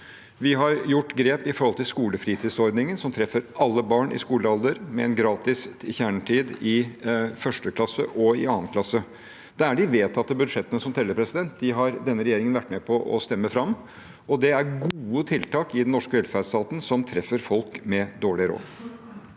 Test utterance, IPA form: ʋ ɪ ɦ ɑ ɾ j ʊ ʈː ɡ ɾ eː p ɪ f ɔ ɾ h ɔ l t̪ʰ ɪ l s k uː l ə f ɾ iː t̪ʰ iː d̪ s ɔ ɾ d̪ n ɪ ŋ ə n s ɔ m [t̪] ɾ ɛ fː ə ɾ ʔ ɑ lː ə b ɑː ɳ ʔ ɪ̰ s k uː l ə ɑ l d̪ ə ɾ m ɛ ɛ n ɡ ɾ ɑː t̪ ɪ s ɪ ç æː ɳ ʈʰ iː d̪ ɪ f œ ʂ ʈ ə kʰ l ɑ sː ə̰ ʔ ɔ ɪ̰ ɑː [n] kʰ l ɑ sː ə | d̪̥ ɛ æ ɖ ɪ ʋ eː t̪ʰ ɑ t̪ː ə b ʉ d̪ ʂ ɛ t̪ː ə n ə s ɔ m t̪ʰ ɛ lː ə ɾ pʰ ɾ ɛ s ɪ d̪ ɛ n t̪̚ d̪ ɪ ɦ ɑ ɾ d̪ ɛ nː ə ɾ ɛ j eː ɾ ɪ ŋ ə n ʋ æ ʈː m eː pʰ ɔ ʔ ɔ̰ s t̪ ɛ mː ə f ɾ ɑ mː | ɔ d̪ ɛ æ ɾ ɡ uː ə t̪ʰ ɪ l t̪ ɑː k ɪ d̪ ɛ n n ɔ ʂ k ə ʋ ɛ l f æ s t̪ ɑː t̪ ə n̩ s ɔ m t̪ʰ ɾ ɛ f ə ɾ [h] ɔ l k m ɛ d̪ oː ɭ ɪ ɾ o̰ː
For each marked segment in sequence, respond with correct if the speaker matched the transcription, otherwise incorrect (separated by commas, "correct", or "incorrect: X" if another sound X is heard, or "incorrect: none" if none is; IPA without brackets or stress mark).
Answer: incorrect: t̪ʰ, correct, incorrect: f